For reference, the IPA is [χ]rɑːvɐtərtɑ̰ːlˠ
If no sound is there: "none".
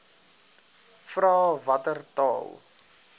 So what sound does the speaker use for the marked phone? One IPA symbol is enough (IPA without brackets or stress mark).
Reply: f